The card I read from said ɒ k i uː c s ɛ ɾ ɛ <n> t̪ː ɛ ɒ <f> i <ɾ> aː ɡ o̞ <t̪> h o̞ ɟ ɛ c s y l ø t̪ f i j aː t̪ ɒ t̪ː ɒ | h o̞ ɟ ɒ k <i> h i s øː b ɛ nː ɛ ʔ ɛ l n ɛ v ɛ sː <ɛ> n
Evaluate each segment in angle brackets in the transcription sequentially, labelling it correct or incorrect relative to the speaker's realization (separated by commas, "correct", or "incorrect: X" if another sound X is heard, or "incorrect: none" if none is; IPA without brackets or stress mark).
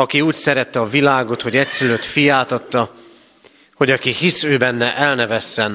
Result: incorrect: none, incorrect: v, incorrect: l, correct, correct, correct